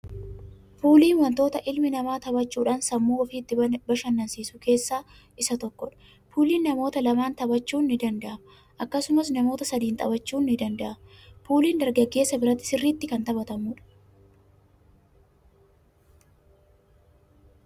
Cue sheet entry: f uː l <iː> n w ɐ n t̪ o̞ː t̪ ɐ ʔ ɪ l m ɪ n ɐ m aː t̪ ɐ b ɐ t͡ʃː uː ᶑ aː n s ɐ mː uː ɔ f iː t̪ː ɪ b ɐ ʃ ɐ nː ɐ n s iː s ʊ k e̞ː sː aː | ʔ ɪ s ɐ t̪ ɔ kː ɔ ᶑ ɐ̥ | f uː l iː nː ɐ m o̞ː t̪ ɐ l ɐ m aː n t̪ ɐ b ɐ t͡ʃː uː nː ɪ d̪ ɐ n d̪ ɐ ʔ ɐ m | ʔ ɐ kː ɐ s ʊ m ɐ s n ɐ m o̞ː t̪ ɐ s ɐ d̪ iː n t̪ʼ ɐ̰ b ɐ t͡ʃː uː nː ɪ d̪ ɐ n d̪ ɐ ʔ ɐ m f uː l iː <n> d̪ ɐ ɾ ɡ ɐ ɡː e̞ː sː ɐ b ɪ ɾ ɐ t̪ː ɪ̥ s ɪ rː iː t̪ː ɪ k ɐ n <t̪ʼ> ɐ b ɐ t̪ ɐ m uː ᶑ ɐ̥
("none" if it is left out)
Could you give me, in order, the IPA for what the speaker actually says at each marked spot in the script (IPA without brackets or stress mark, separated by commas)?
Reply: iː, n, t̪